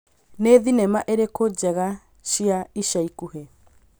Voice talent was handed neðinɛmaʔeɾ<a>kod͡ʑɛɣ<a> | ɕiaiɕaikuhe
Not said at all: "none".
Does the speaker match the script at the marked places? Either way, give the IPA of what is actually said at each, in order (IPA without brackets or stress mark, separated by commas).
e, a